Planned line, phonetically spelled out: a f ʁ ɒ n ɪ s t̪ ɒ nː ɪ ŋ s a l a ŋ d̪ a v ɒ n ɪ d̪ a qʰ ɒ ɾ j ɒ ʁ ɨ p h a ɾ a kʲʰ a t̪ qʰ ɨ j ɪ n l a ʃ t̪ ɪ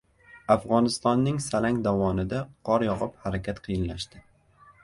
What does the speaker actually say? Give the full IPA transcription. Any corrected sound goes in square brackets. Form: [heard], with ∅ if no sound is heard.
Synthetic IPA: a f ʁ ɒ n ɪ s t̪ ɒ nː ɪ ŋ s a l a ŋ d̪ a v ɒ n ɪ d̪ a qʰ ɒ ɾ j ɒ ʁ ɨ p h a ɾ a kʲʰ a t̪ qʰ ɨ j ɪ n l a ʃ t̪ ɪ